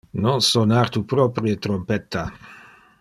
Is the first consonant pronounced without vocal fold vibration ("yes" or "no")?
no